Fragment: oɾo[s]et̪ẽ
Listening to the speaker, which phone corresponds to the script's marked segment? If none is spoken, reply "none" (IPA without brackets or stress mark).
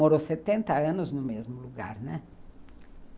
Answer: s